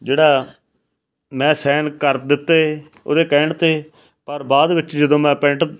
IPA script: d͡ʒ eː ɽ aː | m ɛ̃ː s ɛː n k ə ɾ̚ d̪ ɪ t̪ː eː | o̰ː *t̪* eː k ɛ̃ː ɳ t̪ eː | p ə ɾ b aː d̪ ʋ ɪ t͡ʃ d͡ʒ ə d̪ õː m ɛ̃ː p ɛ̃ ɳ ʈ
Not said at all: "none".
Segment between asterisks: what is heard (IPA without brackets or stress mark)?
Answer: d̪